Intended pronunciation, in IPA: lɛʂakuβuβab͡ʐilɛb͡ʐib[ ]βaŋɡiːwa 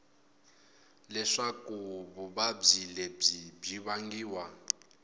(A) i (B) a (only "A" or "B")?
A